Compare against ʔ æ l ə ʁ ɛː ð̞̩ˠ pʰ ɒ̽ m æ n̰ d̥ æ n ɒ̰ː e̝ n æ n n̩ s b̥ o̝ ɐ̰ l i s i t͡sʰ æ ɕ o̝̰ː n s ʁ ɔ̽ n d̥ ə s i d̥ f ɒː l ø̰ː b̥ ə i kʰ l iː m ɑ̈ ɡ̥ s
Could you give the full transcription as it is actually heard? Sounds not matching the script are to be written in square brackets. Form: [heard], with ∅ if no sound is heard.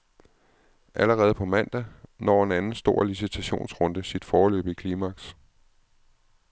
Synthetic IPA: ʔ æ l ə ʁ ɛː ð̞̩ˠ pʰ ɒ̽ m æ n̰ d̥ æ n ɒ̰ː e̝ n æ n n̩ s [d̥] o̝ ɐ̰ l i s i t͡sʰ æ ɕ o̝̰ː n s ʁ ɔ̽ n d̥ ə s i d̥ f ɒː l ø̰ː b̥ ə i kʰ l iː m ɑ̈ ɡ̥ s